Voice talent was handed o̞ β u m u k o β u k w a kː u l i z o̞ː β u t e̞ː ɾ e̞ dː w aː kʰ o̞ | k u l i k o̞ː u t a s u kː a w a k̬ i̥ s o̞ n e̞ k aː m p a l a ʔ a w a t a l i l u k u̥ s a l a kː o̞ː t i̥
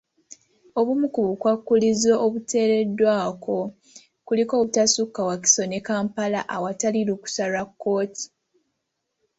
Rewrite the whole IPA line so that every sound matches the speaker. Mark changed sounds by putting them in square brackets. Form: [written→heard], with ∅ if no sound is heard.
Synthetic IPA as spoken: o̞ β u m u k [o→u] β u k w a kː u l i z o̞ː β u t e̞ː ɾ e̞ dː w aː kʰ o̞ | k u l i k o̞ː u t a s u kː a w a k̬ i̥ s o̞ n e̞ k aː m p a l a ʔ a w a t a l i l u k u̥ s a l a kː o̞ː t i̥